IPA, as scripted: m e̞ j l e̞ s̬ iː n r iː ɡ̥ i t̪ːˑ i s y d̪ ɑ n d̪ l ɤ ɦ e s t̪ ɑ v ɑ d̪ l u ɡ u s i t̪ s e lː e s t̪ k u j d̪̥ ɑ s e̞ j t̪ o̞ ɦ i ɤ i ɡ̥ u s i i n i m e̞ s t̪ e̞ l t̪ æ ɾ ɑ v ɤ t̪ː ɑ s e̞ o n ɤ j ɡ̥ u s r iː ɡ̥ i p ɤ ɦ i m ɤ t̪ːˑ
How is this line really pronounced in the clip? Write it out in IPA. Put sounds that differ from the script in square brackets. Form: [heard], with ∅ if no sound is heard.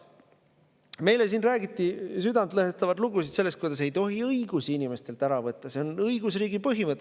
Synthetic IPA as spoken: m e̞ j l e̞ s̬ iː n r [æː] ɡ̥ i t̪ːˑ i s y d̪ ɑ n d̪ l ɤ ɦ e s t̪ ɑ v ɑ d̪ l u ɡ u s i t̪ s e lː e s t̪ k u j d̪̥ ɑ s e̞ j t̪ o̞ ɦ i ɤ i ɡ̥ u s i i n i m e̞ s t̪ e̞ l t̪ æ ɾ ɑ v ɤ t̪ː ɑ s e̞ o n ɤ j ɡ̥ u s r iː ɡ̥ i p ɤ ɦ i m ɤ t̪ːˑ